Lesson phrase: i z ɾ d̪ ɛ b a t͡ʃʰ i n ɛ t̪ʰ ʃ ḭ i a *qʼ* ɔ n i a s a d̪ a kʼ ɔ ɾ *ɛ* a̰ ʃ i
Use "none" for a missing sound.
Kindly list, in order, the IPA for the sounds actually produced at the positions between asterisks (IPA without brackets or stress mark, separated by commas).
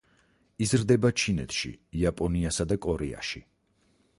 pʼ, ɛ